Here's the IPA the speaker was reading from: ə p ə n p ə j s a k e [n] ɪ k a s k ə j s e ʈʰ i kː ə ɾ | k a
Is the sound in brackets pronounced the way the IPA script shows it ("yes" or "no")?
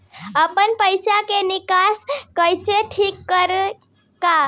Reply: yes